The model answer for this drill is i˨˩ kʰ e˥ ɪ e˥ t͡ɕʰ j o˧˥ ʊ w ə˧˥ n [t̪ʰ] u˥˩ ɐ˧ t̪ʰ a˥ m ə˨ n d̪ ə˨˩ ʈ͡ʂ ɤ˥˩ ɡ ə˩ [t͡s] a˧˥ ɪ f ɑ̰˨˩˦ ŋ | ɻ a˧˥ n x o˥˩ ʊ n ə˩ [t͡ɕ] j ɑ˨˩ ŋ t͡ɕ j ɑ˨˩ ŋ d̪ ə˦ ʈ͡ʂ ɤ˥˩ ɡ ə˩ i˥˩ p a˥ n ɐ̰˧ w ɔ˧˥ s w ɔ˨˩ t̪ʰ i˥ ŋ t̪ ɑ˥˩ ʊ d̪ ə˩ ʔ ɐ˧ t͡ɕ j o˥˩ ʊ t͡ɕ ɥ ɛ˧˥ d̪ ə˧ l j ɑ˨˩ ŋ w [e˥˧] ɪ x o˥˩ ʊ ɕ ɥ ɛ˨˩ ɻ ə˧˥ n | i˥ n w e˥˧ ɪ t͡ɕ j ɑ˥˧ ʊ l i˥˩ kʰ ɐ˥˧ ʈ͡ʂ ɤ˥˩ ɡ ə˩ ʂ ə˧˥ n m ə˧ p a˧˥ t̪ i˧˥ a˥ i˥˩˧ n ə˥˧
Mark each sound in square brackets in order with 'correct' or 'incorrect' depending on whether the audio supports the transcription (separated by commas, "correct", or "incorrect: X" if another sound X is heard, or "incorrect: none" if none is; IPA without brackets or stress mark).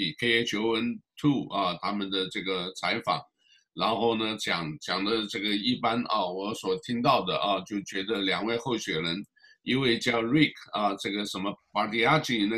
correct, incorrect: t͡sʰ, correct, correct